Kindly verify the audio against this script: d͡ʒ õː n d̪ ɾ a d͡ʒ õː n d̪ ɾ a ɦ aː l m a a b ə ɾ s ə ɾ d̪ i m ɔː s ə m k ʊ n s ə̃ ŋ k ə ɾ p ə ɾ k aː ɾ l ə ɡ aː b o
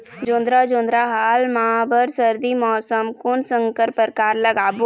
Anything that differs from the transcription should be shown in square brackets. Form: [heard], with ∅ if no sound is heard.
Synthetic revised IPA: d͡ʒ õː n d̪ ɾ a d͡ʒ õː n d̪ ɾ a ɦ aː l m a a b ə ɾ s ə ɾ d̪ i m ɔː s ə m k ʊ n s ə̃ ŋ k ə ɾ p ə ɾ k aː ɾ l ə ɡ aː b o